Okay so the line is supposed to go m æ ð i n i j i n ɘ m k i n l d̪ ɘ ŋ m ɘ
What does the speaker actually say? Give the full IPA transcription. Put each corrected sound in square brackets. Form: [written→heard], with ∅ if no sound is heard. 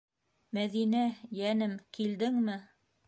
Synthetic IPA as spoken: m æ ð i n [i→æ] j [i→æ] n ɘ m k i [n→∅] l d̪ ɘ ŋ m ɘ